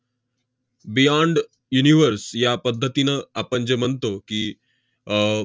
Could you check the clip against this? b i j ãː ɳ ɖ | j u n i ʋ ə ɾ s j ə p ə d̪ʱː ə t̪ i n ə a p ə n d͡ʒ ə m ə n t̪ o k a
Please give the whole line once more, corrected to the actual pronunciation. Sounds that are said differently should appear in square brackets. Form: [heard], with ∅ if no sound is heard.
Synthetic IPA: b i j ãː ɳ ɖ | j u n i ʋ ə ɾ s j [a] p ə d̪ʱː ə t̪ i n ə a p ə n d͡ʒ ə m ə n t̪ o k [i]